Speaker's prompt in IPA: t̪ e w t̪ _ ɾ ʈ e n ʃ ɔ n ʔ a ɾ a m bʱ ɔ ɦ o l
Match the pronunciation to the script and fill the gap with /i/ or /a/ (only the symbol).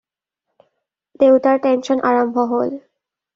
a